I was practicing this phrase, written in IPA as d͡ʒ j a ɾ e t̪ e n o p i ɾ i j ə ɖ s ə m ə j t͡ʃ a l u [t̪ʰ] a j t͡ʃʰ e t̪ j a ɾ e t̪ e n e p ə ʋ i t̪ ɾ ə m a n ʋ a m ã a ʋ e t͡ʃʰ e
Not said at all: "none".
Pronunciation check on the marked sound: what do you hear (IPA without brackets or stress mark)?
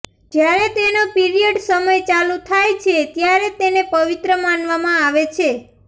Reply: t̪ʰ